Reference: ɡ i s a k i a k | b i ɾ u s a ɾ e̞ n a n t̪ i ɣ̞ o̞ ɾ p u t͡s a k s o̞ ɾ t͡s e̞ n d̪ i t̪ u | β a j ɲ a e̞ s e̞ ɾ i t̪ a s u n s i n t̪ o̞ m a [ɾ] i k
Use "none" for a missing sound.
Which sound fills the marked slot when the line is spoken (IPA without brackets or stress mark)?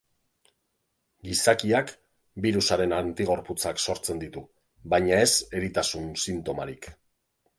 ɾ